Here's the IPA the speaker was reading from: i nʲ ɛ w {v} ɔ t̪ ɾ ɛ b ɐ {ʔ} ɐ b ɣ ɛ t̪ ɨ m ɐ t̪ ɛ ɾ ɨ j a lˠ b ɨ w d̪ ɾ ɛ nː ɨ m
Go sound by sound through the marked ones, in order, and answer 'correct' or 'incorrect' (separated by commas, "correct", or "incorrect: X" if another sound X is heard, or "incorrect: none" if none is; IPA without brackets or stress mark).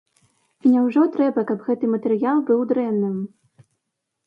incorrect: ʐ, incorrect: k